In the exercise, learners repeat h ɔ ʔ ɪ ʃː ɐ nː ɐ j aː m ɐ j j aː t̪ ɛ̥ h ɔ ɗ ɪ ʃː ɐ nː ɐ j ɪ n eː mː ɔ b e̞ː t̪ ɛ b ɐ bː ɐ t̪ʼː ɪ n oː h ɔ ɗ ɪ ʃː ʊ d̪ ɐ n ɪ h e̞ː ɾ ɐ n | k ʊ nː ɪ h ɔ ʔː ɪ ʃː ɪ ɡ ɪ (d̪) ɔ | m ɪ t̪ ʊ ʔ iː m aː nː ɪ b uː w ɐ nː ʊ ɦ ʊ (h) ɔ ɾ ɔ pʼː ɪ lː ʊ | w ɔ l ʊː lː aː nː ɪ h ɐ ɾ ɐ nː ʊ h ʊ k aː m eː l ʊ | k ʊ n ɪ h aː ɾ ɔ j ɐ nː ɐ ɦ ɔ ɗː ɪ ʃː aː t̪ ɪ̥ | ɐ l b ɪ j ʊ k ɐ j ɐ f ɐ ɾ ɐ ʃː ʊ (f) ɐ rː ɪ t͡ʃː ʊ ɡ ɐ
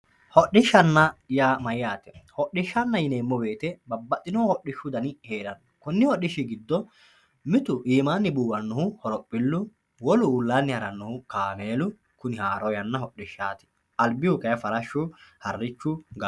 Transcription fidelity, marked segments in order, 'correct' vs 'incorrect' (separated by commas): incorrect, correct, incorrect